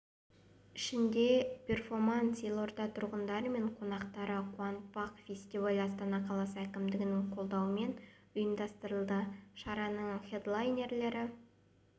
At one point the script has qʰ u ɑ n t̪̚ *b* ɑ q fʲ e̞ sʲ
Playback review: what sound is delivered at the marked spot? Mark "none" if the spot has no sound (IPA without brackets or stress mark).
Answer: p